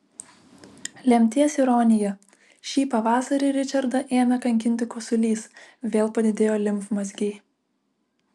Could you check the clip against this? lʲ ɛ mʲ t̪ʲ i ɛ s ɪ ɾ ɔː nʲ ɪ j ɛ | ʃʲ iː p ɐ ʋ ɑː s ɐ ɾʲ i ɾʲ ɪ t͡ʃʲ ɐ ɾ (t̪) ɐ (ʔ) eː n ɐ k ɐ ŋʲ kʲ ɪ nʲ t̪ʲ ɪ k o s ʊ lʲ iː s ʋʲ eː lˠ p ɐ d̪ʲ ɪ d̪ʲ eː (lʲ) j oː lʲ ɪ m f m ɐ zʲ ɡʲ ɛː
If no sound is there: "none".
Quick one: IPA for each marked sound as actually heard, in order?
d̪, ʔ, none

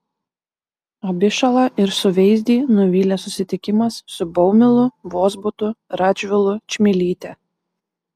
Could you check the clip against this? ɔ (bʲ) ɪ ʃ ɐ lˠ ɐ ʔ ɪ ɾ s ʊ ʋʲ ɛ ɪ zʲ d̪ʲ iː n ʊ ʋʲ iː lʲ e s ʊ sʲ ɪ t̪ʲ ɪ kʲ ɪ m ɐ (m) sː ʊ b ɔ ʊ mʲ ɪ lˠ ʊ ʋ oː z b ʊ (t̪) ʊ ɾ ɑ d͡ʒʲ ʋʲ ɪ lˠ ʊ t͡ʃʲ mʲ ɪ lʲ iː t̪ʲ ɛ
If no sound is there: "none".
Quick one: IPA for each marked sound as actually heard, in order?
bʲ, none, t̪

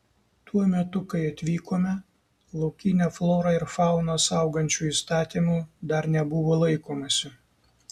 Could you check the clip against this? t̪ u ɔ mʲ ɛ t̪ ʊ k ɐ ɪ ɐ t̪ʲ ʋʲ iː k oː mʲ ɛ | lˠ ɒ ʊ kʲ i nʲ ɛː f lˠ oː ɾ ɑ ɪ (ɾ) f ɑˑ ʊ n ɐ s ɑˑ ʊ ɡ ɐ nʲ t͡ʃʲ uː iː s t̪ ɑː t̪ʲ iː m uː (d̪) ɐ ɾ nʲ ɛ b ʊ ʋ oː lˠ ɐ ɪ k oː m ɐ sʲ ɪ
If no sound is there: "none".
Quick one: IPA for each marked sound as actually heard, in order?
ɾ, d̪

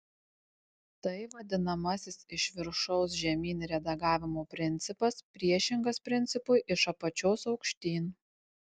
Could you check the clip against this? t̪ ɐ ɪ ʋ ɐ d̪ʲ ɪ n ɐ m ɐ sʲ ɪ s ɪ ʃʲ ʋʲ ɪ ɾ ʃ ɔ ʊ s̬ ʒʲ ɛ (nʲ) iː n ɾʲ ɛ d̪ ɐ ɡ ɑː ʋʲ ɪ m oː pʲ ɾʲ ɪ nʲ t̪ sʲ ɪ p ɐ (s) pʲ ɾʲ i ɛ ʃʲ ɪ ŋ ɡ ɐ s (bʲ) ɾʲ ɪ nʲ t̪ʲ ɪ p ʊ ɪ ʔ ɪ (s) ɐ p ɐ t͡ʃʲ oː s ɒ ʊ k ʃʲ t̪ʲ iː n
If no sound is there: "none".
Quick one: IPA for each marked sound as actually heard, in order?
mʲ, s, pʲ, ʃ

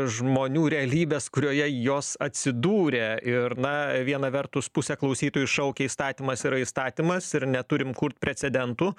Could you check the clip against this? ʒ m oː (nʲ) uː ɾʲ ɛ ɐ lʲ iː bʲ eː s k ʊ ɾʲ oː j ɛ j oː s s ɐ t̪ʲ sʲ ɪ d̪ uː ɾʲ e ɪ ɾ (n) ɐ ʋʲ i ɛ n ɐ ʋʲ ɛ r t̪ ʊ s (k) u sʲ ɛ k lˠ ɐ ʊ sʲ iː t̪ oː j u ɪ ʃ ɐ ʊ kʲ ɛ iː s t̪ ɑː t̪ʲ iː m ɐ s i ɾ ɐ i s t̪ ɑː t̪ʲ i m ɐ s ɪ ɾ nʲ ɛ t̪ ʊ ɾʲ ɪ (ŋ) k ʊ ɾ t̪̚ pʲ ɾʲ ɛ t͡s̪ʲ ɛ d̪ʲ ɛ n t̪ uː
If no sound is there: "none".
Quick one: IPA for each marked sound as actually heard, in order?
nʲ, n, p, m

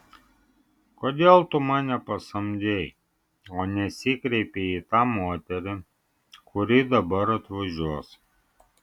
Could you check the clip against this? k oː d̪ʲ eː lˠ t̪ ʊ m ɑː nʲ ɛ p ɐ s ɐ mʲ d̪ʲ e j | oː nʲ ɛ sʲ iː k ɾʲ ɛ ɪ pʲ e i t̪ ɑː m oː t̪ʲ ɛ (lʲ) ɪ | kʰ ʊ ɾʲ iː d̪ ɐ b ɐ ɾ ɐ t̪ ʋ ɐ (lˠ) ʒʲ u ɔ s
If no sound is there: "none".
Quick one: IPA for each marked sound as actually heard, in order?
ɾʲ, none

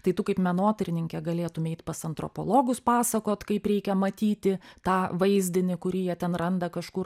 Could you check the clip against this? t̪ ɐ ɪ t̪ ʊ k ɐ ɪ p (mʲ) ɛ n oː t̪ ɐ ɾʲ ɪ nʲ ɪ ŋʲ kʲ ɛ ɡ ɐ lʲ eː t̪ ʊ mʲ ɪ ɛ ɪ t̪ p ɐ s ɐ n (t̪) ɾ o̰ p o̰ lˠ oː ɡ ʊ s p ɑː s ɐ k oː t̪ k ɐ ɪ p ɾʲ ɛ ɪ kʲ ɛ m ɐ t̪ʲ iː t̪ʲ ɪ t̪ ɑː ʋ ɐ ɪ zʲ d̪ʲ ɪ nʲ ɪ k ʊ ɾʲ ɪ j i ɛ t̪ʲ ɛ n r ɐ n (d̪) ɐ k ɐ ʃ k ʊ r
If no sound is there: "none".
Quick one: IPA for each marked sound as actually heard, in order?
mʲ, t̪, d̪

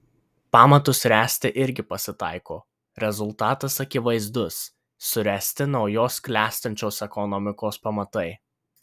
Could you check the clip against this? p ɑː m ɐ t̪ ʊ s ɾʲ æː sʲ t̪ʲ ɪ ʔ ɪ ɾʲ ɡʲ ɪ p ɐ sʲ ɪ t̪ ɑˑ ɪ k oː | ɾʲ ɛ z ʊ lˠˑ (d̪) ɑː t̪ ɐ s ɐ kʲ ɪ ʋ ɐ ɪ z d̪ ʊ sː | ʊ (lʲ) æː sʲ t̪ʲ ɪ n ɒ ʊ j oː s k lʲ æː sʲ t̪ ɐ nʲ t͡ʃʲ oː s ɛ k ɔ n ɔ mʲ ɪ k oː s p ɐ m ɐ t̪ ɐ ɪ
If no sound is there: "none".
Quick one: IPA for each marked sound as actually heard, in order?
t̪, ɾʲ

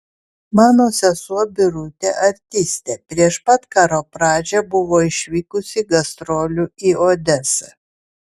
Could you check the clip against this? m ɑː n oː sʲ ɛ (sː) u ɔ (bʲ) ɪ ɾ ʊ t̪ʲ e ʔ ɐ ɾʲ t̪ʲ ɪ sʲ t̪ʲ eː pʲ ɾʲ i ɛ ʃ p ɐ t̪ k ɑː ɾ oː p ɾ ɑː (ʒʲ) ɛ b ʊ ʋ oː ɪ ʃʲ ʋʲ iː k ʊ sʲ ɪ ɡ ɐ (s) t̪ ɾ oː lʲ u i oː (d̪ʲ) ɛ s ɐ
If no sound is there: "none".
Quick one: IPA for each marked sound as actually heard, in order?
s, bʲ, d͡ʒʲ, s, d̪ʲ

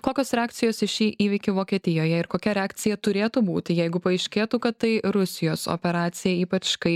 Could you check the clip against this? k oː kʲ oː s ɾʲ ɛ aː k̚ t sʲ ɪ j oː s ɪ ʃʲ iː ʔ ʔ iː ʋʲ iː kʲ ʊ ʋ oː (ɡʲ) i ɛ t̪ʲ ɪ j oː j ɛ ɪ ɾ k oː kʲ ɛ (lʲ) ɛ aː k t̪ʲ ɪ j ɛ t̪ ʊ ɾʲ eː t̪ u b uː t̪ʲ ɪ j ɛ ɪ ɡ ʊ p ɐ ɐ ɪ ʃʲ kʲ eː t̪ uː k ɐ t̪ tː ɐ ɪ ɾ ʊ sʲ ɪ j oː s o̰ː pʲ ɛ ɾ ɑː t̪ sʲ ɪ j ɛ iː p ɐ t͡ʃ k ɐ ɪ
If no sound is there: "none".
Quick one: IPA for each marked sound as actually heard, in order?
kʲ, ɾʲ

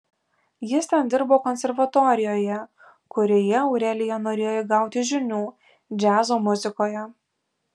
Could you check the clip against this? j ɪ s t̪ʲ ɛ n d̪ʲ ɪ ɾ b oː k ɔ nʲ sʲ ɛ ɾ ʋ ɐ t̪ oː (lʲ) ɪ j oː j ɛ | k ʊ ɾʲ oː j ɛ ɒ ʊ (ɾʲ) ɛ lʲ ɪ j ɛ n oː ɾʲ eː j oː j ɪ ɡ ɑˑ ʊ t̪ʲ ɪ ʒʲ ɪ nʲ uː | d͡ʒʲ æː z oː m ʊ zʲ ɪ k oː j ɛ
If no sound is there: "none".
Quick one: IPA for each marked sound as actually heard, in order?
ɾʲ, ɾʲ

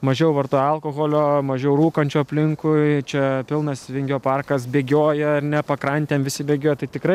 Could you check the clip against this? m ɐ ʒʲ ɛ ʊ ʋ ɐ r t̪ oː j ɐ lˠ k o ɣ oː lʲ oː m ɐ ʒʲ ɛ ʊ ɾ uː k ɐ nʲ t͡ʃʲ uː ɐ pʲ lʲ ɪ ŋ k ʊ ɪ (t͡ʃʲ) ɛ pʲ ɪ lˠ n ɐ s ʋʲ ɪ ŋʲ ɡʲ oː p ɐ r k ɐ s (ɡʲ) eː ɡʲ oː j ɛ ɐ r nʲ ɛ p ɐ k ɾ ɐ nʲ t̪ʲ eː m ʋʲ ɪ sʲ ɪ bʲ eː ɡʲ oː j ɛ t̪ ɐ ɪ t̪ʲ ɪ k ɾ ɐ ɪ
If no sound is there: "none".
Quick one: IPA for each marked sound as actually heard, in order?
t͡ʃʲ, bʲ

